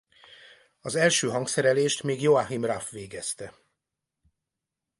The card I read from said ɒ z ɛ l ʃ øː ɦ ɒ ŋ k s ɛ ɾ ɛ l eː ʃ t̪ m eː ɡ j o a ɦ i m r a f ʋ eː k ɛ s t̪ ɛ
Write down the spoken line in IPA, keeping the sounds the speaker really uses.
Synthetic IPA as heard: ɒ z ɛ l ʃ øː ɦ ɒ ŋ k s ɛ ɾ ɛ l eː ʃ t̪ m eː ɡ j o a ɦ i m r a f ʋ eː ɡ ɛ s t̪ ɛ